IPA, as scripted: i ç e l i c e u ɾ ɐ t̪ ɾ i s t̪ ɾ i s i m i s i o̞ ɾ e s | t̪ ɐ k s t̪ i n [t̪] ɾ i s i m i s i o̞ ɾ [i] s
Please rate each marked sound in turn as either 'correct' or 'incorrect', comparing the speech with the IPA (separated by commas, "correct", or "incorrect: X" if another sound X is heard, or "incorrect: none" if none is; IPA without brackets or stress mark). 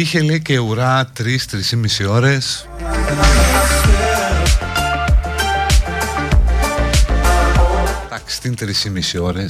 correct, incorrect: e